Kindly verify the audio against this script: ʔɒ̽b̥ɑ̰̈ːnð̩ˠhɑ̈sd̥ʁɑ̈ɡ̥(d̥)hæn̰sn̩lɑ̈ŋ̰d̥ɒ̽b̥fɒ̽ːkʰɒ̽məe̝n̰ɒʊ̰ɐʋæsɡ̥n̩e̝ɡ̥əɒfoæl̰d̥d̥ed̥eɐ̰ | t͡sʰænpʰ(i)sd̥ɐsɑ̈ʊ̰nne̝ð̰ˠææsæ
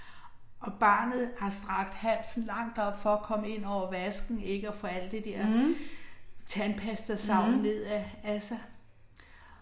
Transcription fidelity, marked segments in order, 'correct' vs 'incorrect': correct, incorrect: æ

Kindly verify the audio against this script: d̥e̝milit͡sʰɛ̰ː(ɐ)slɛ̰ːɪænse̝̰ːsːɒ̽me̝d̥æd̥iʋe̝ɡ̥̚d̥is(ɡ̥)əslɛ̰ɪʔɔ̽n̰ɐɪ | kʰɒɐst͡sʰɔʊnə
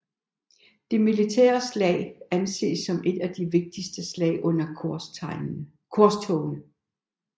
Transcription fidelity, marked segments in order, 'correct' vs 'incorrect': correct, incorrect: d̥

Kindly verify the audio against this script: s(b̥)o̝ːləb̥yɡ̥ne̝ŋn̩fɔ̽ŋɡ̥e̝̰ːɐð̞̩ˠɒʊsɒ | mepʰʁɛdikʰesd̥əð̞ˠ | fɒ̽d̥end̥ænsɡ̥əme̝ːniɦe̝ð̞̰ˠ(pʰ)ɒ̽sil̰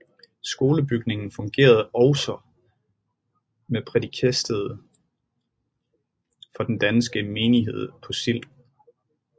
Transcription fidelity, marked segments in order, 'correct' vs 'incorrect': incorrect: ɡ̥, correct

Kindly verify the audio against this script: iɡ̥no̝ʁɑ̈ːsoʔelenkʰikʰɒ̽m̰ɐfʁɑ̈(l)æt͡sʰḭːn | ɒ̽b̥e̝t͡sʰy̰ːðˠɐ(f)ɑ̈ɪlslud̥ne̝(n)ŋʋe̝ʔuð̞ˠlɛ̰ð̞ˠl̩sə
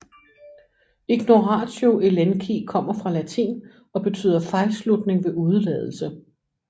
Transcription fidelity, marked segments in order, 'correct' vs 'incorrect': correct, correct, incorrect: none

